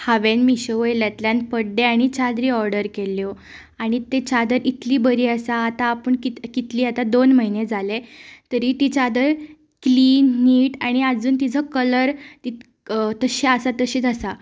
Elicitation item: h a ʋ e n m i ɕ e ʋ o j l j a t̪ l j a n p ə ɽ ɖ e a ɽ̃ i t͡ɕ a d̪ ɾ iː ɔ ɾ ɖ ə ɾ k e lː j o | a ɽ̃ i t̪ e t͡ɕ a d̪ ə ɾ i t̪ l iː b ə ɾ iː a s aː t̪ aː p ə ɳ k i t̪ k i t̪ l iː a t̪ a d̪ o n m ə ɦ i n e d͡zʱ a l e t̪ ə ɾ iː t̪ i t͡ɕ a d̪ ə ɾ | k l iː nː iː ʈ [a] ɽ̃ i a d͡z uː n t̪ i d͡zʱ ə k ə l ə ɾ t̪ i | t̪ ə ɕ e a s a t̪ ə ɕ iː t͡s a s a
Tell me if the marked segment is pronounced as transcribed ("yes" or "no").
yes